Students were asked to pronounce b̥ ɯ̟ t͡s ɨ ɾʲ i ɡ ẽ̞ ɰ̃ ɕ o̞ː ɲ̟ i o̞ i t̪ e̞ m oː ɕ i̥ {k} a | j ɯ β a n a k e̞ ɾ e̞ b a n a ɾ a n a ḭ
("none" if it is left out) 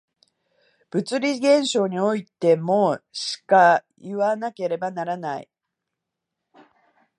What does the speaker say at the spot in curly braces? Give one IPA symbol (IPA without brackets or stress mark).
k